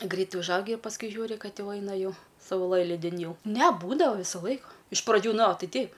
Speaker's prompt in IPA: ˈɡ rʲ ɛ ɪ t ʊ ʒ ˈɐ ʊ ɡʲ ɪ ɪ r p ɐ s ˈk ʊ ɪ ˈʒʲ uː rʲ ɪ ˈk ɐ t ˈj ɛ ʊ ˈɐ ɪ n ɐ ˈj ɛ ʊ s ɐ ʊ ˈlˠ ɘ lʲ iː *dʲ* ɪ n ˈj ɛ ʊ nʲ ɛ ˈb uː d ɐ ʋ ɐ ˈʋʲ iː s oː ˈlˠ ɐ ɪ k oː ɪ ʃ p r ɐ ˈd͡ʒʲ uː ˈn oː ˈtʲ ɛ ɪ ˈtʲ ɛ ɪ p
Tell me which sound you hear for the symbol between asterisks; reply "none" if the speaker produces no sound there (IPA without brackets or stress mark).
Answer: dʲ